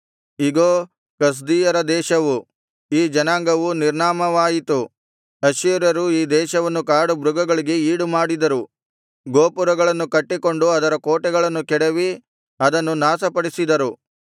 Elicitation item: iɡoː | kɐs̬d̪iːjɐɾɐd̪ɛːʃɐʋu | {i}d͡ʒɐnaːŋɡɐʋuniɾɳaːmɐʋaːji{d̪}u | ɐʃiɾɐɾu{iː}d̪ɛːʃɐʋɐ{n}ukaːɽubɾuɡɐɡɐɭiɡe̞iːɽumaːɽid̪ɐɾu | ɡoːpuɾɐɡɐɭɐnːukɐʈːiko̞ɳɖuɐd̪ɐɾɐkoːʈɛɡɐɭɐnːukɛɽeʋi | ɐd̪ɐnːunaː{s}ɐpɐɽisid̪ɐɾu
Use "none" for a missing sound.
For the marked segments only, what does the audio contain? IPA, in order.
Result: iː, t̪, iː, nː, s

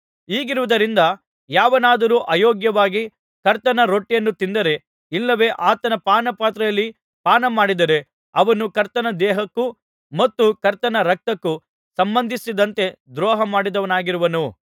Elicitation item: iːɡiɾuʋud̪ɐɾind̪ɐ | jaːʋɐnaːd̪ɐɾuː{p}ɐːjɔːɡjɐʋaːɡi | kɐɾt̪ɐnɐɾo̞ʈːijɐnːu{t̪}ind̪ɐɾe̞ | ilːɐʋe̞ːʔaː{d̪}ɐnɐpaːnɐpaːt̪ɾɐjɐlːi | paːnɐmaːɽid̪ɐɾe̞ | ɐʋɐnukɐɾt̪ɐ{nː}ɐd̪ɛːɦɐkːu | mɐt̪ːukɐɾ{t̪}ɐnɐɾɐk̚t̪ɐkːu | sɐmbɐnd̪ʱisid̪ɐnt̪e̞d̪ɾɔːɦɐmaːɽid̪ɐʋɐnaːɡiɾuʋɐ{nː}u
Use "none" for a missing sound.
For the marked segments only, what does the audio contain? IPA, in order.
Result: ʔ, t̪, t̪, n, t̪, n

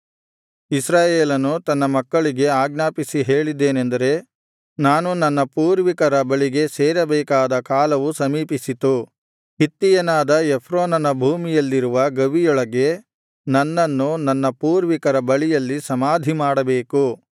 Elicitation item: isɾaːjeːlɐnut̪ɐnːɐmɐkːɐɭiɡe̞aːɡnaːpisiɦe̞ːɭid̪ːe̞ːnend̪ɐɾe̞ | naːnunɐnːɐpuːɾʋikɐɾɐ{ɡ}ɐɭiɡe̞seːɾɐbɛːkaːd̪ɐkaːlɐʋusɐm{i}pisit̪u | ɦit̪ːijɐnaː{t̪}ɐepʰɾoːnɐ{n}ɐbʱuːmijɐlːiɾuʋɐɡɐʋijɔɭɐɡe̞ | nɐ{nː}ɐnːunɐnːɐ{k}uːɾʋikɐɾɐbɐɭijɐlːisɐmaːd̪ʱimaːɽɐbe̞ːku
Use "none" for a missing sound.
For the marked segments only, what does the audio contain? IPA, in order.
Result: b, iː, d̪, n, nː, p

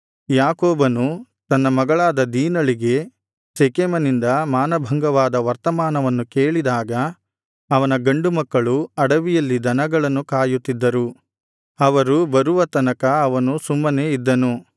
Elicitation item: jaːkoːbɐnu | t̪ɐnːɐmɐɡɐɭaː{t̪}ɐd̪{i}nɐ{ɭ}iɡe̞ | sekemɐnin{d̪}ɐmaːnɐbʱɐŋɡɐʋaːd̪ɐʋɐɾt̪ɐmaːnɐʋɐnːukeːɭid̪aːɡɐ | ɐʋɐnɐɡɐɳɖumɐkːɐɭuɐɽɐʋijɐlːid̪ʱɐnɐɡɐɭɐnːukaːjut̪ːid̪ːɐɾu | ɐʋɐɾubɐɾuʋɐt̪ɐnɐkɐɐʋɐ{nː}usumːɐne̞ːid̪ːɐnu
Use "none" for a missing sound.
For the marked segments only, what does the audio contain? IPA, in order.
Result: d̪, iː, ɭ, d̪, n

